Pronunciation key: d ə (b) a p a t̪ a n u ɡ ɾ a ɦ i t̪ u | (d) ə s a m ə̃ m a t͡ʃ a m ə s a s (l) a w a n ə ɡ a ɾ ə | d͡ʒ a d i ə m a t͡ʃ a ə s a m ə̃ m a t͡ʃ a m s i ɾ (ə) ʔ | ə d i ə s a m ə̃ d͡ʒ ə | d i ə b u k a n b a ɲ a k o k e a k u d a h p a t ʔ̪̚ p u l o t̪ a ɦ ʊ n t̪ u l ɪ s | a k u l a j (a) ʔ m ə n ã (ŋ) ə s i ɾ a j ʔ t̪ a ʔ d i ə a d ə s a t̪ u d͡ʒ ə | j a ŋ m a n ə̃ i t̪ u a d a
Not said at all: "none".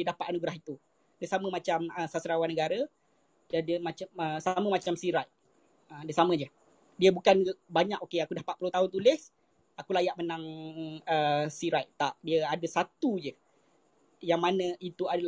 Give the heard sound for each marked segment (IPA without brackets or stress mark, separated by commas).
d, d, ɾ, a, a, ŋ